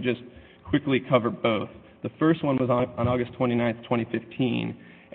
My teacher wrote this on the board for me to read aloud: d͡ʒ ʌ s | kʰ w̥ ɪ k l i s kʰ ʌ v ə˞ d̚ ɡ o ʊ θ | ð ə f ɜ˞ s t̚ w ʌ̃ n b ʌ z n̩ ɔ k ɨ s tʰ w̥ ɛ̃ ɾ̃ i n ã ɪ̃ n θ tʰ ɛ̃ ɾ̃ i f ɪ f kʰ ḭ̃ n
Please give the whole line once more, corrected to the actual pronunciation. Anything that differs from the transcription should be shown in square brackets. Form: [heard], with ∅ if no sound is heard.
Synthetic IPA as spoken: d͡ʒ ʌ s | kʰ w̥ ɪ k l i [∅] kʰ ʌ v ə˞ d̚ [b] o ʊ θ | ð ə f ɜ˞ s t̚ w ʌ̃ n [w] ʌ z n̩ ɔ [ɡ] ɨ s tʰ w̥ ɛ̃ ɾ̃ i n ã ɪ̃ n θ tʰ ɛ̃ ɾ̃ i f ɪ f [tʰ] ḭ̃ n